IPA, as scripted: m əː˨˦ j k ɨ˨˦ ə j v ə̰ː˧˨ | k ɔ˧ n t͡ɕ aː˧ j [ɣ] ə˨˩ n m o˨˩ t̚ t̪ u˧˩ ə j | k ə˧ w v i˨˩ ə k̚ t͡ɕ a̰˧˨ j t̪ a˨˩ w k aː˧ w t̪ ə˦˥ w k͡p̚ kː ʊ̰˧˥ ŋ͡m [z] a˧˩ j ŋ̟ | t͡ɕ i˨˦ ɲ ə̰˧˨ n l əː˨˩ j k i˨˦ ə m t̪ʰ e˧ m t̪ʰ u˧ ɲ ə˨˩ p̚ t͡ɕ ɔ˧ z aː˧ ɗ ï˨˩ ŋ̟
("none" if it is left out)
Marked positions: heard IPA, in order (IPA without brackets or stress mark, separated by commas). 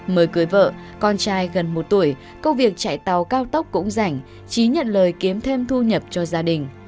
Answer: ɣ, z